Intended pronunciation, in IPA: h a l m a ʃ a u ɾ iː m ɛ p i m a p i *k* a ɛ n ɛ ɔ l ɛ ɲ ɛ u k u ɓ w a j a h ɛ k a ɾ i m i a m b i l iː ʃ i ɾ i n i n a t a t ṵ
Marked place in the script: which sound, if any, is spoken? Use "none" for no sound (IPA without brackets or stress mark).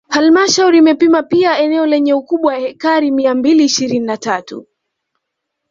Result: none